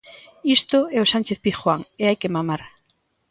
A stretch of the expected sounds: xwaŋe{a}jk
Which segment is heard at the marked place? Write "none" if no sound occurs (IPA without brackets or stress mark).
a